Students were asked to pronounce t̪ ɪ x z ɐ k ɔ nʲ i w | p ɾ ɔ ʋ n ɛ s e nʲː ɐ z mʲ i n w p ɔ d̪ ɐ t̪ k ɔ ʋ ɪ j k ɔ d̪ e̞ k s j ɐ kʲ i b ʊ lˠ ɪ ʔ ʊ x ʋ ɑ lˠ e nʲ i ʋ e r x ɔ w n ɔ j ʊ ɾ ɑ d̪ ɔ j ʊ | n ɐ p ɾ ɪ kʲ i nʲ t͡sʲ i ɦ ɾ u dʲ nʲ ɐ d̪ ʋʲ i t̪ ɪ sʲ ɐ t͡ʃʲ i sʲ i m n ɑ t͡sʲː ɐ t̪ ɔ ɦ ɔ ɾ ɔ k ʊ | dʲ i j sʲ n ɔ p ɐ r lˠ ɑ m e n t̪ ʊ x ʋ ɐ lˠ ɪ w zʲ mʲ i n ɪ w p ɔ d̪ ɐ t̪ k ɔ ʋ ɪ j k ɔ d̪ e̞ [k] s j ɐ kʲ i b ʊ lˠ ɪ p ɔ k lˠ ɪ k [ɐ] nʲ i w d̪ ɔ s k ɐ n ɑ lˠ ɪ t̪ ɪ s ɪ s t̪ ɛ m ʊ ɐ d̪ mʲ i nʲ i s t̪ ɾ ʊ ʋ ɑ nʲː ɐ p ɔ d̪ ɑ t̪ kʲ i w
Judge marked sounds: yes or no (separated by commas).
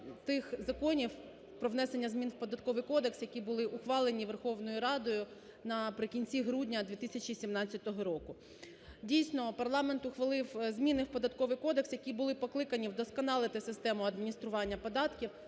yes, yes